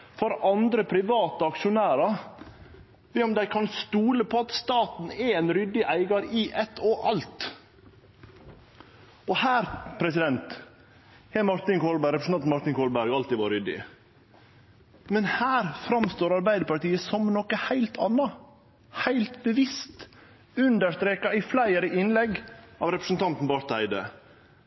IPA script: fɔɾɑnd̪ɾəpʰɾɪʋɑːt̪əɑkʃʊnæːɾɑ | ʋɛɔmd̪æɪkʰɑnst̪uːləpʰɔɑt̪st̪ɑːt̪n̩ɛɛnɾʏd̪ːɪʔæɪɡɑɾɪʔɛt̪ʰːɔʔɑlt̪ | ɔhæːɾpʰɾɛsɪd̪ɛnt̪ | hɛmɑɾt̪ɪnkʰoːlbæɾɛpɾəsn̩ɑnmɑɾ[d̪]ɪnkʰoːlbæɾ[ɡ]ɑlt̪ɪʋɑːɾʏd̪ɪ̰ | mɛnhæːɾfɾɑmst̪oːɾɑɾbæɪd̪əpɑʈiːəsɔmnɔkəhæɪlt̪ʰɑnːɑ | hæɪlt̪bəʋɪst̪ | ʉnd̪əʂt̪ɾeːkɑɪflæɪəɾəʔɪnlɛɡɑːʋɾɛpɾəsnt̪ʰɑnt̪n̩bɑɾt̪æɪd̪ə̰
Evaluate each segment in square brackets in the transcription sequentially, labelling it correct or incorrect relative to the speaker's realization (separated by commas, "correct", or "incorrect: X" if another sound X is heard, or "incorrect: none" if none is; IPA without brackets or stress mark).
incorrect: t̪, correct